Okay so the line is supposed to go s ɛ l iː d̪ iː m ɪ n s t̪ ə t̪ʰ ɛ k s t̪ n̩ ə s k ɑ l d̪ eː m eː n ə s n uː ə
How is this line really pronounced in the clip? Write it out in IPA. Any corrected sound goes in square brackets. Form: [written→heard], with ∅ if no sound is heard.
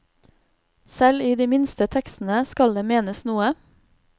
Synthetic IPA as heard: s ɛ l iː d̪ iː m ɪ n s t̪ ə t̪ʰ ɛ k s t̪ n̩ ə s k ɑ l d̪ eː m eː n ə s n uː ə